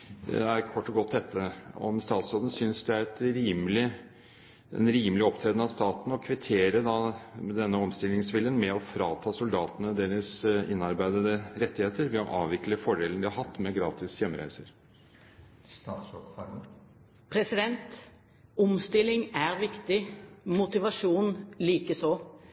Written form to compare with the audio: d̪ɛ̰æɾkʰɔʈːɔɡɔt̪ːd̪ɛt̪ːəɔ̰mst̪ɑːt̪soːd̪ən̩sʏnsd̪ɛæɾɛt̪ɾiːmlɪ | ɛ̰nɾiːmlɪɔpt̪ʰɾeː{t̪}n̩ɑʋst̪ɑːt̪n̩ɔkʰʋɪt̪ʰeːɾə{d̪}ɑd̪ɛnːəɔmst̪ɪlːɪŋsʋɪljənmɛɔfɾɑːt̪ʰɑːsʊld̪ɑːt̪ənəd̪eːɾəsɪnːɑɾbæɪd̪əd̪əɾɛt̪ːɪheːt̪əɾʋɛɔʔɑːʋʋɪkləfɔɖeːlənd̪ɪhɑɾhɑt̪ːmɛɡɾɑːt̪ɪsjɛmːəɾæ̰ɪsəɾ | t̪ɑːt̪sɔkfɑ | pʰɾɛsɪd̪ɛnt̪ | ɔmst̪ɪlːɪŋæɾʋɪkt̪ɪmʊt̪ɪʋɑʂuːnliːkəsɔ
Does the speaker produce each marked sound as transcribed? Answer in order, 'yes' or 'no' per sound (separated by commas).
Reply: no, yes